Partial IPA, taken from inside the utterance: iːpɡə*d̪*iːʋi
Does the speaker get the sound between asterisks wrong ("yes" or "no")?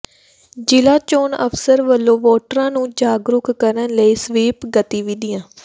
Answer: yes